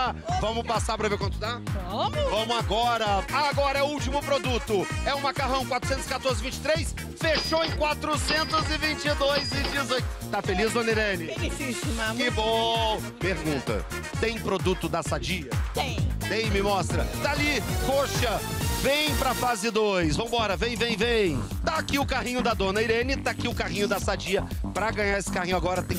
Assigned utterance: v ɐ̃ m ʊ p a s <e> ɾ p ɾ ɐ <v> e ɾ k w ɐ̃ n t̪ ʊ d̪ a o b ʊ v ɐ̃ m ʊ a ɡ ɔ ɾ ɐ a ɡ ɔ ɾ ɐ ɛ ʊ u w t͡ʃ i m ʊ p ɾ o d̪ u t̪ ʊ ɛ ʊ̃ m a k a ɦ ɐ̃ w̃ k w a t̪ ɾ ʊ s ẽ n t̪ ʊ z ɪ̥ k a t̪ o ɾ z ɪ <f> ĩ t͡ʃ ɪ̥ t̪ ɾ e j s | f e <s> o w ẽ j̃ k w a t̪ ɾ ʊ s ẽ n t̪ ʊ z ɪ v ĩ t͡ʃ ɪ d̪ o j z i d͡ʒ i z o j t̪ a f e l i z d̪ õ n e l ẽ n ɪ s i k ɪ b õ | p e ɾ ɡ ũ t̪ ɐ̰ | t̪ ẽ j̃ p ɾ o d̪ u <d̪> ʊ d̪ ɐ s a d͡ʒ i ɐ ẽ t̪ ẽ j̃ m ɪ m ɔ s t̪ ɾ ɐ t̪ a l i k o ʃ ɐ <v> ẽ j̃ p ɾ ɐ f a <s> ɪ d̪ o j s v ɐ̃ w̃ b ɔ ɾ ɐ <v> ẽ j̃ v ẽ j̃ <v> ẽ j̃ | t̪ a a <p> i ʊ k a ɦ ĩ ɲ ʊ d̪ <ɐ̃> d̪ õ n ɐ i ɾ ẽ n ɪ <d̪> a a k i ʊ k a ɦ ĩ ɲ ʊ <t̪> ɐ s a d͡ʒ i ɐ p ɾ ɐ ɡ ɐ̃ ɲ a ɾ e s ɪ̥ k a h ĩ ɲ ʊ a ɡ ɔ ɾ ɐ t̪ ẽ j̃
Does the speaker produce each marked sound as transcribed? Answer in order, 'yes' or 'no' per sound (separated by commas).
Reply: no, yes, no, no, no, yes, no, yes, yes, no, no, no, no